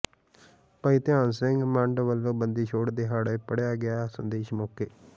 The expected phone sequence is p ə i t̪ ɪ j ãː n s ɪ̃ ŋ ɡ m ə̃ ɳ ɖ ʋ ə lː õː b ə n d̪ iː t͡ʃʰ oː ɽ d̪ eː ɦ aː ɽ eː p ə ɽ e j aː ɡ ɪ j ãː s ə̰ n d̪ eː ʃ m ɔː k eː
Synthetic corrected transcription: p ə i t̪ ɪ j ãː n s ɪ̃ ŋ ɡ m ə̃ ɳ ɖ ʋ ə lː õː b ə n d̪ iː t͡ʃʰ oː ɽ d̪ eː ɦ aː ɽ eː p ə ɽ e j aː ɡ ɪ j aː s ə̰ n d̪ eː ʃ m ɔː k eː